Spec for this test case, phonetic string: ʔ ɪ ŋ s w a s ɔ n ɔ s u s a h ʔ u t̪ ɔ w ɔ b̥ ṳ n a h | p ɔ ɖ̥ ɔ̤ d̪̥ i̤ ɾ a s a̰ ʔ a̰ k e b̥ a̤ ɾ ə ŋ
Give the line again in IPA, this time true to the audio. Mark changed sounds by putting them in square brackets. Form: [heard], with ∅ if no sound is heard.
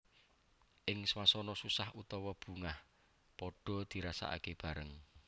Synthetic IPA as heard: ʔ ɪ ŋ s w a s ɔ n ɔ s u s a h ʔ u t̪ ɔ w ɔ b̥ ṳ [ŋ] a h | p ɔ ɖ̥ ɔ̤ d̪̥ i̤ ɾ a s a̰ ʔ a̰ k e b̥ a̤ ɾ ə ŋ